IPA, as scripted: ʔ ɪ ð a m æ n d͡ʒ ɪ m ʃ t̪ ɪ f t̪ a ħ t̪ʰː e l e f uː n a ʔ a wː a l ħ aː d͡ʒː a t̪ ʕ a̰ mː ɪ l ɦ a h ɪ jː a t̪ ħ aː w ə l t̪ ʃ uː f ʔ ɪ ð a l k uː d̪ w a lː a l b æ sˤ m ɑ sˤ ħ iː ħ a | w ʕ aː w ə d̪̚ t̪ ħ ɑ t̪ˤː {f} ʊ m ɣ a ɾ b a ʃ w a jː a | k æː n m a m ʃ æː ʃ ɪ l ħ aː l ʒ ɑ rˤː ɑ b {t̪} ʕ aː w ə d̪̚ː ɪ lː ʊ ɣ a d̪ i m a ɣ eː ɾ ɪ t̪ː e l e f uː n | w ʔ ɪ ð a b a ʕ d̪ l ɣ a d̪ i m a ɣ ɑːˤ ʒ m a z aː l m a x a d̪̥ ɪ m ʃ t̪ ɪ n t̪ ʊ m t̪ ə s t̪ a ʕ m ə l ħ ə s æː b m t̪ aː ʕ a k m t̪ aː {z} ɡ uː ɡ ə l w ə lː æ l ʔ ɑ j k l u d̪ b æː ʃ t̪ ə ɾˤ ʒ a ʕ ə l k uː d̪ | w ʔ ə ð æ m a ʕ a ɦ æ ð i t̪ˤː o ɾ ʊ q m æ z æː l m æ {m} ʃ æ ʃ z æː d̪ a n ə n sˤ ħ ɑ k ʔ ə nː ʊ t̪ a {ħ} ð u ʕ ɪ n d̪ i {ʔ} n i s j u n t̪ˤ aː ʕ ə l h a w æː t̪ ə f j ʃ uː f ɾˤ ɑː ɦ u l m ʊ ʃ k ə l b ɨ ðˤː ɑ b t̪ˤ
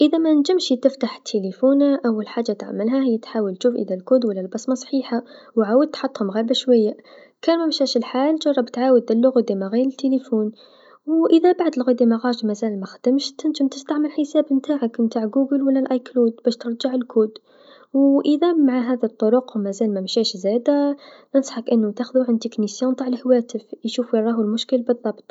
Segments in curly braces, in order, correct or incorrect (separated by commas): incorrect, correct, incorrect, correct, incorrect, incorrect